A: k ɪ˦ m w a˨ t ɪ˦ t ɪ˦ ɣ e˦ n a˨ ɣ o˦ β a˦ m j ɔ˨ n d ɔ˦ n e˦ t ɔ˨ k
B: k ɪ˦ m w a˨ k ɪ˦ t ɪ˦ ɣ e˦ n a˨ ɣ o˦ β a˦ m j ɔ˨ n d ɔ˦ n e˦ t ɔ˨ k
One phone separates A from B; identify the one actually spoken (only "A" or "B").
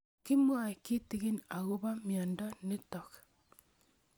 B